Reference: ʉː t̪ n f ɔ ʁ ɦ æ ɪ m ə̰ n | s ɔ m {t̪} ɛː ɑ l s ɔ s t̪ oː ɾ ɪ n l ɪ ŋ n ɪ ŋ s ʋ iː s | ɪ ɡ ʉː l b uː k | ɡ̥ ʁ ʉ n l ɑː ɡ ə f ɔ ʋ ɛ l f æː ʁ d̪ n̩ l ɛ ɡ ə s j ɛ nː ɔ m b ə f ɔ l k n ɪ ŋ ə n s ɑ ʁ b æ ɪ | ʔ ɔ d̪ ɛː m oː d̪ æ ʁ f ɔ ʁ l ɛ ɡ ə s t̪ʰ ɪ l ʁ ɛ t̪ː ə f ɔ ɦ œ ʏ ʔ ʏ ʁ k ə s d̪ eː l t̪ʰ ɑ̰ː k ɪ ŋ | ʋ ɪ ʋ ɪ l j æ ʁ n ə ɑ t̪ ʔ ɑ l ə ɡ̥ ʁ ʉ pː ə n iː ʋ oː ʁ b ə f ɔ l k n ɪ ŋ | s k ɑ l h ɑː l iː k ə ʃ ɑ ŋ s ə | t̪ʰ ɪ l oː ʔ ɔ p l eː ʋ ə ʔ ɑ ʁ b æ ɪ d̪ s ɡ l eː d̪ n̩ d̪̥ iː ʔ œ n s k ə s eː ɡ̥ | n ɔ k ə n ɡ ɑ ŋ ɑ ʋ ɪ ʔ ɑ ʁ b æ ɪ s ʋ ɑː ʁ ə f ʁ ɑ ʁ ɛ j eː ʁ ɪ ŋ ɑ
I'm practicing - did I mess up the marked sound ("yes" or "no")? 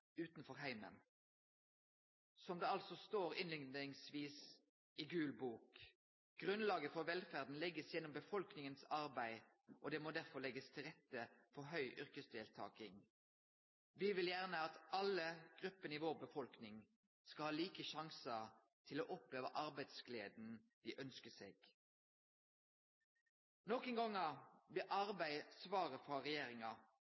yes